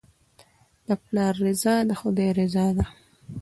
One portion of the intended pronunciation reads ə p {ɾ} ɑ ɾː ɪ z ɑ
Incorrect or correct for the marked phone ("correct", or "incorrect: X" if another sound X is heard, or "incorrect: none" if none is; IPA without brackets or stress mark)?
incorrect: l